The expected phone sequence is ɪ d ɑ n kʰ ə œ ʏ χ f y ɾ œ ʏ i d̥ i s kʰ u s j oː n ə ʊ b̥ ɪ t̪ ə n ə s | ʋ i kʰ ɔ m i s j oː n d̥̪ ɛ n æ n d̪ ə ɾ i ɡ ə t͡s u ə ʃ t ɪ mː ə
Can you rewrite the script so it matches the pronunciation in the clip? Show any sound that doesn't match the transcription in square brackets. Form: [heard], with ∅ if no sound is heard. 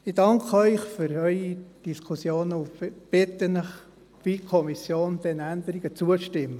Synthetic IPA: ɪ d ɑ [ŋ] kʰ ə œ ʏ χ f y ɾ œ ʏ i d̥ i s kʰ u s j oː n ə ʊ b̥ ɪ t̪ ə n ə [χ] | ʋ i kʰ ɔ m i s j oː n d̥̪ ɛ n æ n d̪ ə ɾ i ɡ ə t͡s u ə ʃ t ɪ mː ə

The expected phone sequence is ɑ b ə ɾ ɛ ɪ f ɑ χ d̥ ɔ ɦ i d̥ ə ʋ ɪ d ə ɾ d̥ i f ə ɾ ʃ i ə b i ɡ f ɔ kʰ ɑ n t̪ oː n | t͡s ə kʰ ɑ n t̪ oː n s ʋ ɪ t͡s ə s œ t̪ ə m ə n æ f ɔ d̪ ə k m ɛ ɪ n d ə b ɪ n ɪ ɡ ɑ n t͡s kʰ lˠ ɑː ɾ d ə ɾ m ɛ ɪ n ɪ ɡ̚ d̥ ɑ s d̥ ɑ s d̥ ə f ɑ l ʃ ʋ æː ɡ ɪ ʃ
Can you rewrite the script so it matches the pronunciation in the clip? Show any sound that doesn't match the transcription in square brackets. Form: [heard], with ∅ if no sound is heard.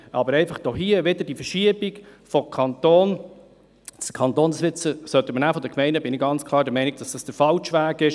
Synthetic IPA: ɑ b ə ɾ ɛ ɪ f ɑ χ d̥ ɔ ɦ i [∅] ə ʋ ɪ d ə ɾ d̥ i f ə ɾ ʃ i ə b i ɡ f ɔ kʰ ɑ n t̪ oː n | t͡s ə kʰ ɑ n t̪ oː n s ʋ ɪ t͡s ə s œ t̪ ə m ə n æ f ɔ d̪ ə k m ɛ ɪ n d ə b ɪ n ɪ ɡ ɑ n t͡s kʰ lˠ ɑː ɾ d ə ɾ m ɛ ɪ n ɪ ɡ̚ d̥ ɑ s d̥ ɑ s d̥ ə f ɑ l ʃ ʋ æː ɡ ɪ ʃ

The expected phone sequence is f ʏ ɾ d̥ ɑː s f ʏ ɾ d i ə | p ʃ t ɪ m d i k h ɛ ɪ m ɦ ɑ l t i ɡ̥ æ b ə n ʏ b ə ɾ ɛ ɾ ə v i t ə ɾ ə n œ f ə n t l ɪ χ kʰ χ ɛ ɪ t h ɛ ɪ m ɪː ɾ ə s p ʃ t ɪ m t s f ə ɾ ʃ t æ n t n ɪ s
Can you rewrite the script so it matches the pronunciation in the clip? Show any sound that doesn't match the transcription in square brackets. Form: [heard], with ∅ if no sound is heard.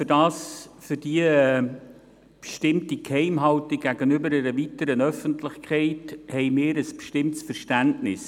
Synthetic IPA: f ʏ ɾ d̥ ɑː s f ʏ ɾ d i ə | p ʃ t ɪ m [t] i k h ɛ ɪ m ɦ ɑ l t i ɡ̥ æ [ɡ] ə n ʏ b ə ɾ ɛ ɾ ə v i t ə ɾ ə n œ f ə n t l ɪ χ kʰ χ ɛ ɪ t h ɛ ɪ m ɪː ɾ ə s p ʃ t ɪ m t s f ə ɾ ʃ t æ n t n ɪ s

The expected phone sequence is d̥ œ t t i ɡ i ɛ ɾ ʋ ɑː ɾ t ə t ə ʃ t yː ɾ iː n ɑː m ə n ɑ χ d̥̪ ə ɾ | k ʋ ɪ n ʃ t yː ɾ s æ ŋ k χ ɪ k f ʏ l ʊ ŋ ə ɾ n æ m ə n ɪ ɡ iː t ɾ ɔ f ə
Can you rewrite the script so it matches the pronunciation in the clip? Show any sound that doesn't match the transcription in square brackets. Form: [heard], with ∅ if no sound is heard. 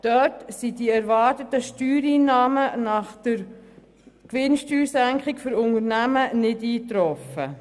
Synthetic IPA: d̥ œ t [s] i [d] i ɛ ɾ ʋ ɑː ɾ t ə t ə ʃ t yː ɾ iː n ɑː m ə n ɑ χ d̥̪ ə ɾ | k ʋ ɪ n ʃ t yː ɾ s æ ŋ k χ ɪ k f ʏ [ɾ] ʊ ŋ ə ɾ n æ m ə n ɪ [d] iː t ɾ ɔ f ə

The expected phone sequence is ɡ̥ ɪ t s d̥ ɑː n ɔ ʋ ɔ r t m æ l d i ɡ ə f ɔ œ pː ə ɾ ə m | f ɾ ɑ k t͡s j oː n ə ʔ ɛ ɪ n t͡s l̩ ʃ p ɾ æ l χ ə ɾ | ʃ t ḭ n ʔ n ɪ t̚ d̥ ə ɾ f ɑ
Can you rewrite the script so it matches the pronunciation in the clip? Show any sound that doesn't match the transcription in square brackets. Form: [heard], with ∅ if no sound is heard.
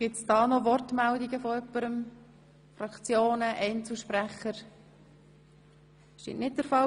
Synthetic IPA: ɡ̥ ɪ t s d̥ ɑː n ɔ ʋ ɔ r t m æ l d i ɡ ə f ɔ œ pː ə ɾ ə m | f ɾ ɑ k t͡s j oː n ə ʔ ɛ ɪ n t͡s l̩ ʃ p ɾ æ [∅] χ ə ɾ | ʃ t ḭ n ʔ n ɪ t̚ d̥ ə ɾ f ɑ

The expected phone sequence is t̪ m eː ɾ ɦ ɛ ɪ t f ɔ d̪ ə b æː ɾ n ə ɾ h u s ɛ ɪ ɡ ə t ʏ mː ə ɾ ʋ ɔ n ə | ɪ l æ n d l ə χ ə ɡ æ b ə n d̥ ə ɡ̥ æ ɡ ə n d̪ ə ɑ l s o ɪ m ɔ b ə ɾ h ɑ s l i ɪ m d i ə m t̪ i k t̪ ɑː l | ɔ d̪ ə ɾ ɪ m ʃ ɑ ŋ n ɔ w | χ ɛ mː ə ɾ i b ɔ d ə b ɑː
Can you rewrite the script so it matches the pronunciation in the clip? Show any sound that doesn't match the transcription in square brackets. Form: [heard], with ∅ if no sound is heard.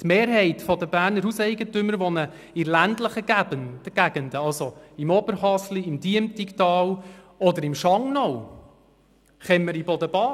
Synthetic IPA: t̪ m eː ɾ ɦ ɛ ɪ t f ɔ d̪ ə b æː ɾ n ə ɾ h u s ɛ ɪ ɡ ə t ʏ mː ə ɾ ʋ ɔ n ə | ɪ l æ n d l ə χ ə ɡ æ b ə n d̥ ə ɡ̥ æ ɡ ə n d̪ ə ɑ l s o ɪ m ɔ b ə ɾ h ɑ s l i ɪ m d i ə m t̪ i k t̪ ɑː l | ɔ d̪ ə ɾ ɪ m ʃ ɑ ŋ n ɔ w | χ ɛ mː ə ɾ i b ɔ d ə b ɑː

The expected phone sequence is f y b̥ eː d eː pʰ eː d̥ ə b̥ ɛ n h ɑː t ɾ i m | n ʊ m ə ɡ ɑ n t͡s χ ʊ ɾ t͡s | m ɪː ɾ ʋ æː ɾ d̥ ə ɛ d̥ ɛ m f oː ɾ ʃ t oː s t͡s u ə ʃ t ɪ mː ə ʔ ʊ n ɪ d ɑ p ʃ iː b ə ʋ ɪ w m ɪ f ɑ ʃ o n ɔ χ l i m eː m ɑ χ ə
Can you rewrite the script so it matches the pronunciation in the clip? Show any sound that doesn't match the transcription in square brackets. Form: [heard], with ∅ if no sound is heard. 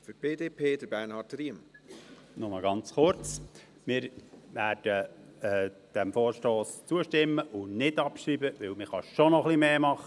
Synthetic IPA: f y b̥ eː d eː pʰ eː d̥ ə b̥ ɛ n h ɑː t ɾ i m | n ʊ m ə ɡ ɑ n t͡s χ ʊ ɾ t͡s | m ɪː ɾ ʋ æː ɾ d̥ ə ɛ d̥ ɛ m f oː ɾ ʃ t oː s t͡s u ə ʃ t ɪ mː ə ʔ ʊ n ɪ d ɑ p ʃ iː b ə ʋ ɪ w m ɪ [χ] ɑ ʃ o n ɔ χ l i m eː m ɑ χ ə

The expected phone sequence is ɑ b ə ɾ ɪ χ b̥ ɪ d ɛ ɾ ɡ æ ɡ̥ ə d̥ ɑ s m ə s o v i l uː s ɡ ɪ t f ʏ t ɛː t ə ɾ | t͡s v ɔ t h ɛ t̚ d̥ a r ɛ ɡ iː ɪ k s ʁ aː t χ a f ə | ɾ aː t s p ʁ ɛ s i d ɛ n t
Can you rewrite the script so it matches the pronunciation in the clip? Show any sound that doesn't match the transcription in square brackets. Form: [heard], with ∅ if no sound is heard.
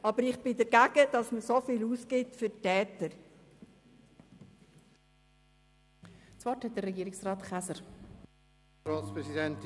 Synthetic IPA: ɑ b ə ɾ ɪ χ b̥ ɪ d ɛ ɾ ɡ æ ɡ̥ ə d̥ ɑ s m ə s o [f] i l uː s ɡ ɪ t f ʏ t ɛː t ə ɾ | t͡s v ɔ t h ɛ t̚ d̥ [ə] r ɛ ɡ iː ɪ k s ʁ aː t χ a [s] ə | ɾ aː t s p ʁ ɛ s i d ɛ n t

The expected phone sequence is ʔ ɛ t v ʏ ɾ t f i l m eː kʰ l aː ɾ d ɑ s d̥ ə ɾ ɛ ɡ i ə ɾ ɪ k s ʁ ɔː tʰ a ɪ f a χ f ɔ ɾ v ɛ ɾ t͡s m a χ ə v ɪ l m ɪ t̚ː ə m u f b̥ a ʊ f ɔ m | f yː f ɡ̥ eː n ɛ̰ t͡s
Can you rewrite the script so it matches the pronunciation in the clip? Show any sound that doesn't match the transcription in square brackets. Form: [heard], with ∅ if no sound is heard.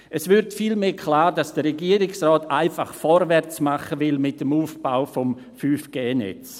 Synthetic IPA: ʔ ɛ [s] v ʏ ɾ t f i l m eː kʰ l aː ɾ d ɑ s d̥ ə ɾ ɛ ɡ i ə ɾ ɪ k s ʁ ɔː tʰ a ɪ f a χ f ɔ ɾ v ɛ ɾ t͡s m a χ ə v ɪ l m ɪ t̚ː ə m [uː] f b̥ a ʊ f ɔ m | f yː f ɡ̥ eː n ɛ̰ t͡s

